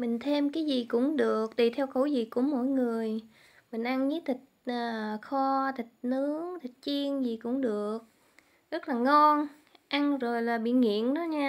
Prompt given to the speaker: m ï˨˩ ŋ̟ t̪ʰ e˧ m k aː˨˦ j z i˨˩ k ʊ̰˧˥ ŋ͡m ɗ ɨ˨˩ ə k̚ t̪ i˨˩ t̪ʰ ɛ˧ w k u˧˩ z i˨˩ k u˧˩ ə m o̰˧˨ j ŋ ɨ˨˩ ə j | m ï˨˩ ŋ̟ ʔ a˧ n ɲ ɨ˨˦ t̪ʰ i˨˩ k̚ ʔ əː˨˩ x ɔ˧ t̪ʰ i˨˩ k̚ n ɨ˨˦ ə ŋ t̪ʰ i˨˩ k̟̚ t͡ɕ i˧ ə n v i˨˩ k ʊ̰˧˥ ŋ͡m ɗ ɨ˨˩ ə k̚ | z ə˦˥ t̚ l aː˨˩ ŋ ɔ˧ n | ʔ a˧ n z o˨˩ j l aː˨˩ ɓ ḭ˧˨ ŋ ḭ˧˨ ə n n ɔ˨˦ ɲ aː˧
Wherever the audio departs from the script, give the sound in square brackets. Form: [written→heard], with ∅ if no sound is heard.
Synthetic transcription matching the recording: m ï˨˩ ŋ̟ t̪ʰ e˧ m k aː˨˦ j z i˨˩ k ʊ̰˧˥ ŋ͡m ɗ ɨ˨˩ ə k̚ t̪ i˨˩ t̪ʰ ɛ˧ w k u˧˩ z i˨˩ k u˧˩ ə m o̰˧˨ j ŋ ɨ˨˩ ə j | m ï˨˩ ŋ̟ ʔ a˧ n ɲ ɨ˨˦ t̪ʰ i˨˩ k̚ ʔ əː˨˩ x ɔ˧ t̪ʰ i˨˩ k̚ n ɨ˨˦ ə ŋ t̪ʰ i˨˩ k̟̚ t͡ɕ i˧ ə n [v→z] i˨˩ k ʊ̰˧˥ ŋ͡m ɗ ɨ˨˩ ə k̚ | z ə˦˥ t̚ l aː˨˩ ŋ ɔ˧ n | ʔ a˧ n z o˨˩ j l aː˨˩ ɓ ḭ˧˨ ŋ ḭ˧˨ ə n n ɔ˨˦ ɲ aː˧

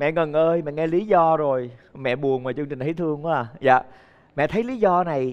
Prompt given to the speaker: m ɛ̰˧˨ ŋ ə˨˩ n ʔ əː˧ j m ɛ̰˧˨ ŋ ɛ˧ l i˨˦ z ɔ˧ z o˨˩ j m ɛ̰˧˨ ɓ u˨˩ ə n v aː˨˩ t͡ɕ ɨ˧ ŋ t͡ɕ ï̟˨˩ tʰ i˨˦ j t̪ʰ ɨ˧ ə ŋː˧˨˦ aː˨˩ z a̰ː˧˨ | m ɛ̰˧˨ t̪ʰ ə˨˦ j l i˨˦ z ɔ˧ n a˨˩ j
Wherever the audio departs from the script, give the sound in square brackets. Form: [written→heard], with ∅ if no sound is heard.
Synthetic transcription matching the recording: m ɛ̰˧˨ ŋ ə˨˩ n ʔ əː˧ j m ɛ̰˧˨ ŋ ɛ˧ l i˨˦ z ɔ˧ z o˨˩ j m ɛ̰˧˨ ɓ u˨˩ ə n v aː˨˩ t͡ɕ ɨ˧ ŋ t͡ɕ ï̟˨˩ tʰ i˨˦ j t̪ʰ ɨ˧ ə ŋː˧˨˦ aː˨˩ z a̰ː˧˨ | m ɛ̰˧˨ t̪ʰ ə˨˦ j l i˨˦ z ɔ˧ n a˨˩ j

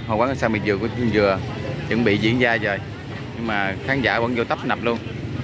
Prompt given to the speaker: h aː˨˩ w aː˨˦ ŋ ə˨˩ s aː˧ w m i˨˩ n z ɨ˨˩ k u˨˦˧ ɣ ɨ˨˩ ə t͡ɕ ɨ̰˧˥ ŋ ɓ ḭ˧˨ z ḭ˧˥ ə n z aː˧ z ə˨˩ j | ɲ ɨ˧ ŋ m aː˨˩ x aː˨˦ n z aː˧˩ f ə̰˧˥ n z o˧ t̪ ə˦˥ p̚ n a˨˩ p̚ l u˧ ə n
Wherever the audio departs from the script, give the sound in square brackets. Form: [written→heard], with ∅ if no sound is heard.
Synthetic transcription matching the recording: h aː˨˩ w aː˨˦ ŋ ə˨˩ s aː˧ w m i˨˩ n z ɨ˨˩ k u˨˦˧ [ɣ→z] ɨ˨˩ ə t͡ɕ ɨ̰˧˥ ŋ ɓ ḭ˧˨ z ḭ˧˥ ə n z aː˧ z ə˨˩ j | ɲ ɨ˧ ŋ m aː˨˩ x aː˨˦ n z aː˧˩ [f→v] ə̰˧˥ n z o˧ t̪ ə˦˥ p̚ n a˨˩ p̚ l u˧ ə n

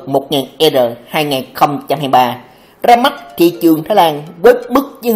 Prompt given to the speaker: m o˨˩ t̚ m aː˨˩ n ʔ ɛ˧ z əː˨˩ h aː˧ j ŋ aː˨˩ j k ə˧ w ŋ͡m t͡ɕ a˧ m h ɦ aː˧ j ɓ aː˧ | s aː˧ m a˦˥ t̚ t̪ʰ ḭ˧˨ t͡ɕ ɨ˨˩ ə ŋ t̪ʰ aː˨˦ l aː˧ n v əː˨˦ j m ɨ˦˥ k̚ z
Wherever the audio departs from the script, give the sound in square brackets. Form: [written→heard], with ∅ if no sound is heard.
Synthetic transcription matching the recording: m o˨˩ t̚ [m→ŋ] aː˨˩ n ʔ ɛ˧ z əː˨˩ h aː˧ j ŋ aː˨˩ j [k→x] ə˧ w ŋ͡m t͡ɕ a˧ m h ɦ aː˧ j ɓ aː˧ | [s→z] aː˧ m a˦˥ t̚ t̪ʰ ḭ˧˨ t͡ɕ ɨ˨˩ ə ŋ t̪ʰ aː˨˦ l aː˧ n v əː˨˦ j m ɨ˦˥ k̚ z

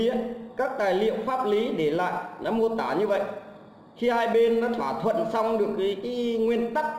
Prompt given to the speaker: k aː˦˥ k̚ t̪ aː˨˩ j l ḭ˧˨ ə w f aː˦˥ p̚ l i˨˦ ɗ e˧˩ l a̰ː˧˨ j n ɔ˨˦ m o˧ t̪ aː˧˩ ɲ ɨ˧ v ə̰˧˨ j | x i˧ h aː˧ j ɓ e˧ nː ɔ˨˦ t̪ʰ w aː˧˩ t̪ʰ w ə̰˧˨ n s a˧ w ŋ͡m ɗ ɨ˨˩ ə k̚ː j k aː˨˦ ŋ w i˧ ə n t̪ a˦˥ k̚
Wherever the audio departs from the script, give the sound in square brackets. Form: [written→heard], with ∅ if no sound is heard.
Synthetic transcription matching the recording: k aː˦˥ k̚ t̪ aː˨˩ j l ḭ˧˨ ə w f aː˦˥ p̚ l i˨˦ ɗ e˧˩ l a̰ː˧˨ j n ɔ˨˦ m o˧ t̪ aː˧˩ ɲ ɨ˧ v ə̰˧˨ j | x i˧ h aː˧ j ɓ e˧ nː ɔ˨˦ t̪ʰ w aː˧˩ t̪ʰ w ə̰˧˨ n s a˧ w ŋ͡m ɗ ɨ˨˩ ə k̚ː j k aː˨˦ ŋ w i˧ ə n t̪ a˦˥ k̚

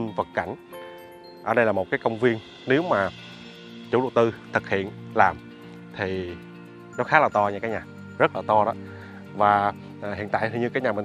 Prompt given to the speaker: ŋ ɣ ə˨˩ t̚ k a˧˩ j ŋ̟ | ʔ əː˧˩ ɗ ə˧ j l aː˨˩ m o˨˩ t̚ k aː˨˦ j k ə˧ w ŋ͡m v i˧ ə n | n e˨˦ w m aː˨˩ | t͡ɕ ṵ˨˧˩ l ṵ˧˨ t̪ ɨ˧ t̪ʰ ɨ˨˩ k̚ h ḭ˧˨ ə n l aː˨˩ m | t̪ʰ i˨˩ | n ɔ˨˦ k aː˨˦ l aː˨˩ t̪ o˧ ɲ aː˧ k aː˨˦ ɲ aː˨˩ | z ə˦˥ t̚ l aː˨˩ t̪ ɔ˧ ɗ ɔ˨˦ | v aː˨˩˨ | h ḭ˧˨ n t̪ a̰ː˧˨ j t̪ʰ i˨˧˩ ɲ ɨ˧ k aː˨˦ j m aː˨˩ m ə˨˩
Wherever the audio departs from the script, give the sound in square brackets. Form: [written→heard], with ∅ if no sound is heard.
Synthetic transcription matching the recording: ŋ [ɣ→v] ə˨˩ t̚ k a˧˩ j ŋ̟ | ʔ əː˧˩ ɗ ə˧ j l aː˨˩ m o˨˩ t̚ k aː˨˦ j k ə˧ w ŋ͡m v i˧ ə n | n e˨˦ w m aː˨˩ | t͡ɕ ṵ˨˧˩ l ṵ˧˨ t̪ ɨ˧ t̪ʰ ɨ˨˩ k̚ h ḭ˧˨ ə n l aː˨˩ m | t̪ʰ i˨˩ | n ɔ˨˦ [k→x] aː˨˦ l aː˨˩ t̪ [o˧→ɔ˧] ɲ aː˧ k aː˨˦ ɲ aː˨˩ | z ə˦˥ t̚ l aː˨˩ t̪ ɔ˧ ɗ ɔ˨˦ | v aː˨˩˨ | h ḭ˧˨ n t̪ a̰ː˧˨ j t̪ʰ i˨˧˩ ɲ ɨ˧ k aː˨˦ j [m→ɲ] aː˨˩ m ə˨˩

